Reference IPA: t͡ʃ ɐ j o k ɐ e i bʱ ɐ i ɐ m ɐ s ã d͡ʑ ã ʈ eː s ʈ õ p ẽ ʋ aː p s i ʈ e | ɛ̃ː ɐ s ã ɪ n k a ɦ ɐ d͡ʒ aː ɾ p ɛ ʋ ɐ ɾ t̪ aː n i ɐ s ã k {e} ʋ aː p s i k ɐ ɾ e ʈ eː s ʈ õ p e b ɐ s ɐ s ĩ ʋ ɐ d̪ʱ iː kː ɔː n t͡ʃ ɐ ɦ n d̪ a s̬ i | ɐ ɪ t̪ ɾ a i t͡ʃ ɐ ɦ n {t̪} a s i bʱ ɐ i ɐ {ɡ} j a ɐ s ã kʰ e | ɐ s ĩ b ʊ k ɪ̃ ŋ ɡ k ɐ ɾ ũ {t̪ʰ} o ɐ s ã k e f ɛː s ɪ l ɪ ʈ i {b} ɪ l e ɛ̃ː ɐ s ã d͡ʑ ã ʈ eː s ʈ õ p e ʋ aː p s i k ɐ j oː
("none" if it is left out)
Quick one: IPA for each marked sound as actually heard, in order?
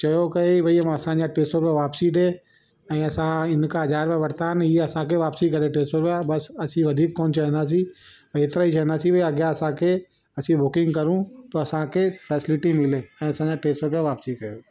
e, d̪, ɡ, t̪, m

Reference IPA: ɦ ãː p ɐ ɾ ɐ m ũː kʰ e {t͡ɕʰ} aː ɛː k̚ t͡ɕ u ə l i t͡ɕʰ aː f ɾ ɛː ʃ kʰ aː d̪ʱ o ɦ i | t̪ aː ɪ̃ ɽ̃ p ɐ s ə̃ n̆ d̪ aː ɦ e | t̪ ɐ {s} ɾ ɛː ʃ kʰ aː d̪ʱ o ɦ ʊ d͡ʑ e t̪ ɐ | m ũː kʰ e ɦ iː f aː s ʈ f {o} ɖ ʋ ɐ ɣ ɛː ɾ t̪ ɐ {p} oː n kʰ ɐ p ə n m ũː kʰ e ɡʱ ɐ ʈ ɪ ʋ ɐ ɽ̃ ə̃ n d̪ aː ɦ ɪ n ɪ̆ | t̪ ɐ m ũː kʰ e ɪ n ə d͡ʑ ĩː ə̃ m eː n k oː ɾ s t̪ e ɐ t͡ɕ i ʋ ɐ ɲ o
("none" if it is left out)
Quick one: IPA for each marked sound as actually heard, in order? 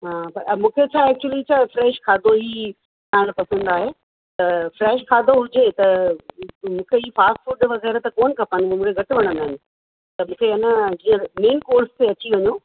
t͡ɕʰ, f, u, k

